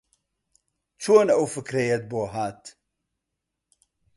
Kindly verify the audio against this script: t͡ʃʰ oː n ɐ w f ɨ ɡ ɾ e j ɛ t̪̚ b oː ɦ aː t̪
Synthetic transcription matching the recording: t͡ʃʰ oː n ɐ w f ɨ k ɾ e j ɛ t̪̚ b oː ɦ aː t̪